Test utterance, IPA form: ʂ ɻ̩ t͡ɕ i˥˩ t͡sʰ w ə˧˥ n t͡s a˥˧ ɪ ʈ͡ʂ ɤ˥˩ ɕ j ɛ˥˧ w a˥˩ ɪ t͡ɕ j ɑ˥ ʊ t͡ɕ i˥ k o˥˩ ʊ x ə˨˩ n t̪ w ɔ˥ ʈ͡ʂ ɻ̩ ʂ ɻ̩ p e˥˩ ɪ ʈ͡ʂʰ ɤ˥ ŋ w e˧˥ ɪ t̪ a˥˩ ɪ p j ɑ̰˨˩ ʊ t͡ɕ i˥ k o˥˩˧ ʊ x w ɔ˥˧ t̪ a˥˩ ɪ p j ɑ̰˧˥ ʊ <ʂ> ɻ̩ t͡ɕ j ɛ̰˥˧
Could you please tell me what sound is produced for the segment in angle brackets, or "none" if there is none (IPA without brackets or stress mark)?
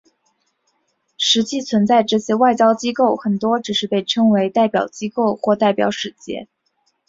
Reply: ʂ